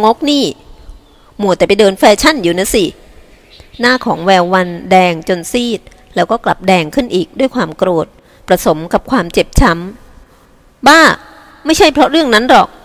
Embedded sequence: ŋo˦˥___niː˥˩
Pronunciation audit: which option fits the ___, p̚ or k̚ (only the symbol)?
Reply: k̚